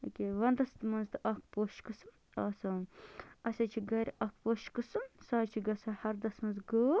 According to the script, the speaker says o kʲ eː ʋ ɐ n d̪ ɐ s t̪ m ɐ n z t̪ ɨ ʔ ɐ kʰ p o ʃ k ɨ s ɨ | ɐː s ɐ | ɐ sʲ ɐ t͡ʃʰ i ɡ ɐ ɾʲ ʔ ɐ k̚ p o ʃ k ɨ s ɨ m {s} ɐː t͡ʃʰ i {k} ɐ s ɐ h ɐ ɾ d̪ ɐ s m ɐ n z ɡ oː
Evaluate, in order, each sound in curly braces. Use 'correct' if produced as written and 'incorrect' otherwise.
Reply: correct, incorrect

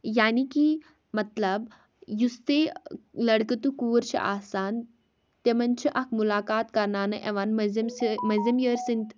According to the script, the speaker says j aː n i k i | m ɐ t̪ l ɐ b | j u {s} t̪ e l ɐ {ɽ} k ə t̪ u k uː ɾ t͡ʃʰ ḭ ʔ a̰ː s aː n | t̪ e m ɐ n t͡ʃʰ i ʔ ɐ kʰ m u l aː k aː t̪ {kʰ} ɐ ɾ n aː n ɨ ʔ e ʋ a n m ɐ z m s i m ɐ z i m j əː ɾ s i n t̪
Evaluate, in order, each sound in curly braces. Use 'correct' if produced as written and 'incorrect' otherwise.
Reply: correct, correct, incorrect

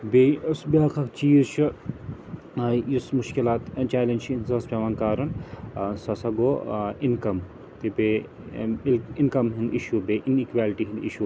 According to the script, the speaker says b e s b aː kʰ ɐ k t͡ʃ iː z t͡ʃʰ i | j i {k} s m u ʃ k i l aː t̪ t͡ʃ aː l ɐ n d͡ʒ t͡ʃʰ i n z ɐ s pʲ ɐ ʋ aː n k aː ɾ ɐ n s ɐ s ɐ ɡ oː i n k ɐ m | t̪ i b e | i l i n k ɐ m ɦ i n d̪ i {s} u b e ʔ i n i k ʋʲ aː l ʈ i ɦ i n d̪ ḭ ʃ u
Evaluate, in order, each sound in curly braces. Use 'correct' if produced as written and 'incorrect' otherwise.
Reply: incorrect, incorrect

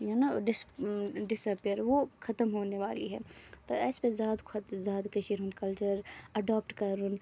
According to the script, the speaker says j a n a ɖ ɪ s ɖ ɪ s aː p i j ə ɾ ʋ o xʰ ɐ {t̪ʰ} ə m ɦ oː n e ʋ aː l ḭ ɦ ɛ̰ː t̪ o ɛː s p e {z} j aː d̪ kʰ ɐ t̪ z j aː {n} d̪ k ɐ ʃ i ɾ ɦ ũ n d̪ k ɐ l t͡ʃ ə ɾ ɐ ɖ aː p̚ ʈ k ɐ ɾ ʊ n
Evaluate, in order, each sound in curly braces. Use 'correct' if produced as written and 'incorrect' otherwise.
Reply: incorrect, correct, incorrect

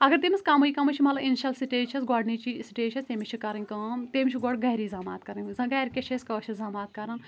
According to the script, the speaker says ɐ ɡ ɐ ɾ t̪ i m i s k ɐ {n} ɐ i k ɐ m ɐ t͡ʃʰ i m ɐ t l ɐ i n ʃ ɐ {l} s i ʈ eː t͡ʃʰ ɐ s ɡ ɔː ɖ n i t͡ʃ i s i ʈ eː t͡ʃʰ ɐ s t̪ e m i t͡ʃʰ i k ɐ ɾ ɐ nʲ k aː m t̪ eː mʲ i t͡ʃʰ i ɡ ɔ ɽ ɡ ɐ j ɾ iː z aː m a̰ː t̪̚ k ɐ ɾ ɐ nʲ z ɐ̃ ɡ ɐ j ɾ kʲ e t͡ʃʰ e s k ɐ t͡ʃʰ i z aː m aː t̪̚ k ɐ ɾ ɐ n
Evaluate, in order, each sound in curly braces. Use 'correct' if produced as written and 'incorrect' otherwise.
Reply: incorrect, correct

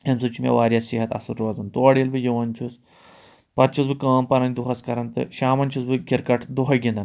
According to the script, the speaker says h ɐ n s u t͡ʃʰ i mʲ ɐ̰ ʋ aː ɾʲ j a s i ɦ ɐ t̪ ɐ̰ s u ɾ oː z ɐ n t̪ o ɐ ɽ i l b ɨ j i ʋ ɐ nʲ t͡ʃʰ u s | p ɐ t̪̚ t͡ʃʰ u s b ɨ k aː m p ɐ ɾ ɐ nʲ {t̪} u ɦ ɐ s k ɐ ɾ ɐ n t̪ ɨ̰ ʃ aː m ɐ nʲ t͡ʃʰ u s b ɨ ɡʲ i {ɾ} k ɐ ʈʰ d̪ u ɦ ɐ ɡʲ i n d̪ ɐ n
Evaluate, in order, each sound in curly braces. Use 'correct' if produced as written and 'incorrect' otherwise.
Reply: incorrect, correct

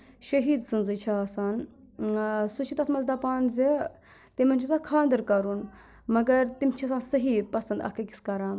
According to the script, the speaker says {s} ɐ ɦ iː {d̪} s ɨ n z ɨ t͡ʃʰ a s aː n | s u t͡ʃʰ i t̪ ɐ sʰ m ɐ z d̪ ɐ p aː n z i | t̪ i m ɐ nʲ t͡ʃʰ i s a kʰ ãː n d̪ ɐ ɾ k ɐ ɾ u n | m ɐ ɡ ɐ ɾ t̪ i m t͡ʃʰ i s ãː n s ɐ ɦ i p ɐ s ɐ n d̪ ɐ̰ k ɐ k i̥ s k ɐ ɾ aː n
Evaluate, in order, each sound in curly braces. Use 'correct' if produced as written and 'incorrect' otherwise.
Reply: incorrect, correct

